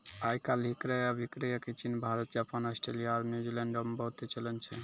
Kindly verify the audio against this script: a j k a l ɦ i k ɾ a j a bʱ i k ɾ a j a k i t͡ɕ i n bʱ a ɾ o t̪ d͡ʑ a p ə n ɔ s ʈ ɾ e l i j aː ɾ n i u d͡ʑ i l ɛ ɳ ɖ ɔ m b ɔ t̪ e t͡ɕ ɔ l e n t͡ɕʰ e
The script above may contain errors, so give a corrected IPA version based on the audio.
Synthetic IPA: a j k a l ɦ i k ɾ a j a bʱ i k ɾ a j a k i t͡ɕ i n bʱ a ɾ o t̪ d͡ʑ a p a n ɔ s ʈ ɾ e l i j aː ɾ n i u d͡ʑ i l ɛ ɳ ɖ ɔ m b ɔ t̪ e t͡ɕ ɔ l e n t͡ɕʰ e